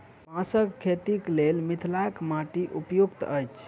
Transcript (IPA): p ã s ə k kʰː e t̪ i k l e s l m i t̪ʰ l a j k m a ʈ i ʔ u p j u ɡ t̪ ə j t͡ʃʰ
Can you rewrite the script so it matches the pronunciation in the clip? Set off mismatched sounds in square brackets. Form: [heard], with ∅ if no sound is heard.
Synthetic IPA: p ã s ə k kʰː e t̪ i k l e [∅] l m i t̪ʰ l a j k m a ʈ i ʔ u p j u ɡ t̪ ə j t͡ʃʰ